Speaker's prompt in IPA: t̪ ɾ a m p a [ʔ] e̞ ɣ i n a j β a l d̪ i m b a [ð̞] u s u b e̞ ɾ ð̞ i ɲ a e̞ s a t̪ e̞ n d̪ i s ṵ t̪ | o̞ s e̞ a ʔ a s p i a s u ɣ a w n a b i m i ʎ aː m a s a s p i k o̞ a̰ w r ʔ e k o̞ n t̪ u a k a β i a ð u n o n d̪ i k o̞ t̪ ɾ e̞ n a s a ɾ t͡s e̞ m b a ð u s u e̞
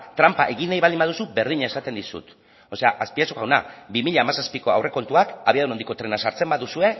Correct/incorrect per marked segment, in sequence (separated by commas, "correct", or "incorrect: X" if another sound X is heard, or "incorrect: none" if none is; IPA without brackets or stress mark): correct, correct